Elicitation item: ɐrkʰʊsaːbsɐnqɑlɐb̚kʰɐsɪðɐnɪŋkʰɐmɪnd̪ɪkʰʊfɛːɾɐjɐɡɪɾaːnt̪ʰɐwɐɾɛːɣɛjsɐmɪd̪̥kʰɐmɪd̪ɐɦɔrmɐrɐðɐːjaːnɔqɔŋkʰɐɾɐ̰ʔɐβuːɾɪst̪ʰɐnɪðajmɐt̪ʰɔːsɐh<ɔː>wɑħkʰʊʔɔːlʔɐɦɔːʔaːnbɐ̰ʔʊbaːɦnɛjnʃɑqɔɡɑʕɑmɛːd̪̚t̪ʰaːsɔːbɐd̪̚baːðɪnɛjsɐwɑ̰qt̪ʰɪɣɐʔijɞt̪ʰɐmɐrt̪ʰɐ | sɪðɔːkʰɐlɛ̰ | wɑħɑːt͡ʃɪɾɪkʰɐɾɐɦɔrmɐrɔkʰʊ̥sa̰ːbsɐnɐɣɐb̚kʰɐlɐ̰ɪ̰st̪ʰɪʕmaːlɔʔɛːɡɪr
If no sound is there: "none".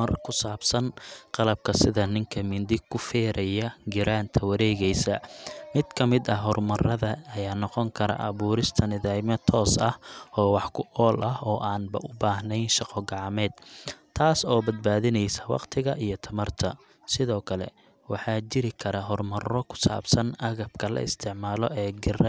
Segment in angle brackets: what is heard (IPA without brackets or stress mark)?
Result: ɔː